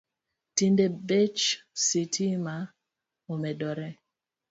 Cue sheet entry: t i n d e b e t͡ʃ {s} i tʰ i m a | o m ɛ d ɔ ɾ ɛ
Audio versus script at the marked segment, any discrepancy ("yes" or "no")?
no